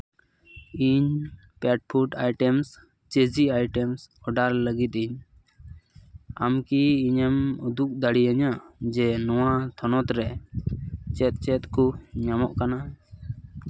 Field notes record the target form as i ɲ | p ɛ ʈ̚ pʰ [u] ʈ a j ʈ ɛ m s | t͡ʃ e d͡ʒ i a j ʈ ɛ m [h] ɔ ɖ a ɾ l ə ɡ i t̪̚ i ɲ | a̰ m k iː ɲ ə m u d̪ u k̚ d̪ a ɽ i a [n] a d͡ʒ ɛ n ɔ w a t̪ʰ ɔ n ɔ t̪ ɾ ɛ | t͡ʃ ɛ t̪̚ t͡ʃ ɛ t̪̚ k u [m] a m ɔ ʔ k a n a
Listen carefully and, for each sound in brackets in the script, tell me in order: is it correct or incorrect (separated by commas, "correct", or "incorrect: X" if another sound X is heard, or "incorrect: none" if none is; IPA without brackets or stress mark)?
correct, incorrect: s, incorrect: ɲ, incorrect: ɲ